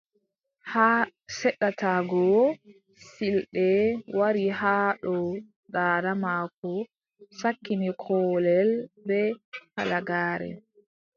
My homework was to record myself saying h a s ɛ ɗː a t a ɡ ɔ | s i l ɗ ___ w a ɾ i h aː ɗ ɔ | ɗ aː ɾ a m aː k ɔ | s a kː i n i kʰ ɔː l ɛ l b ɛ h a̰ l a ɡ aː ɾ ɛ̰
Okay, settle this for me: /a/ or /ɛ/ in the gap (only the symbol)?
ɛ